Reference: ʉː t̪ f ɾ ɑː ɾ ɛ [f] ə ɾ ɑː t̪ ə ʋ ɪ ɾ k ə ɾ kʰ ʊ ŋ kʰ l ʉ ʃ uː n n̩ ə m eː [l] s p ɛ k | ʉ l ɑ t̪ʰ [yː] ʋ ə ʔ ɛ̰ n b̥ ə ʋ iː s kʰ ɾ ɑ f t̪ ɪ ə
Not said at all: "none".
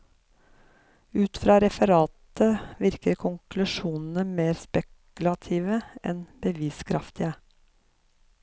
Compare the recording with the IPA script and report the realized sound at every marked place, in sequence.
f, ɾ, iː

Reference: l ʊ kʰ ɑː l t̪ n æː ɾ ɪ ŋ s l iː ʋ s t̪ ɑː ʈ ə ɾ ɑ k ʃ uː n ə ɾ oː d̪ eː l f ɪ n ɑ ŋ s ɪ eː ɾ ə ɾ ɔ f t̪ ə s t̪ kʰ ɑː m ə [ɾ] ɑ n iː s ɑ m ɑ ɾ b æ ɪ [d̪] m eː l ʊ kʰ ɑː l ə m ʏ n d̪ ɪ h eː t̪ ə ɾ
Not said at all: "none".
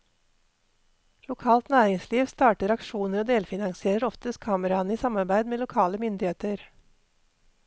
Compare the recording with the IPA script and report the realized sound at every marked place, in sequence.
ɾ, d̪

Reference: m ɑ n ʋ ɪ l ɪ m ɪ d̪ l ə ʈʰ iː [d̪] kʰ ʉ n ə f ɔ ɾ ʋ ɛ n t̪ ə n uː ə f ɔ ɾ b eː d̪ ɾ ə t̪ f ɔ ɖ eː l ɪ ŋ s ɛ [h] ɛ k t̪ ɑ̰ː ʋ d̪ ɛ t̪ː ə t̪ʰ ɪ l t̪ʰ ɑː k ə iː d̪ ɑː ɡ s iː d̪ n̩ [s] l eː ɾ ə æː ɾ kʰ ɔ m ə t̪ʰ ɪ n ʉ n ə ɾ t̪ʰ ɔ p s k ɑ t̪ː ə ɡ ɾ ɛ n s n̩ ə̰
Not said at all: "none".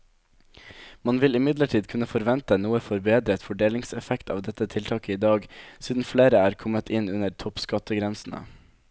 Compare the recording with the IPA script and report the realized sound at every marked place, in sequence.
d̪, f, f

